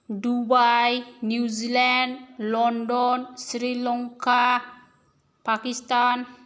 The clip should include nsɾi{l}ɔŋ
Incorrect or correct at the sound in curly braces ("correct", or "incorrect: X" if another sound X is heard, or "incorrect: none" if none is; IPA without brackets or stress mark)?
correct